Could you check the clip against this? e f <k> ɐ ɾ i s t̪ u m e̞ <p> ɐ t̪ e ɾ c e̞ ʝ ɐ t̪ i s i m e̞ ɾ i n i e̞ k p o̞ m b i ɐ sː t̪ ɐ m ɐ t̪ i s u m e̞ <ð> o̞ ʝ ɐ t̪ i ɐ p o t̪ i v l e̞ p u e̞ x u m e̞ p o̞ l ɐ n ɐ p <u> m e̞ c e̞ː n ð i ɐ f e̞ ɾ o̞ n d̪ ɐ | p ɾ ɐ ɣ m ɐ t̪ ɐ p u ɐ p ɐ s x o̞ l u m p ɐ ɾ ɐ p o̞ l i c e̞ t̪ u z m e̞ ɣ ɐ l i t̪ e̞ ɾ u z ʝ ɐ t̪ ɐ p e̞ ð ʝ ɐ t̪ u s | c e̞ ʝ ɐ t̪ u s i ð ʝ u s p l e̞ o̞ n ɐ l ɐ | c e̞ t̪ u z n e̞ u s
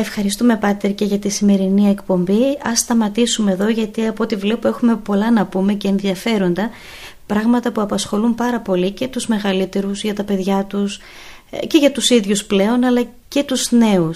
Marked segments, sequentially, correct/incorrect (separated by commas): incorrect, correct, correct, correct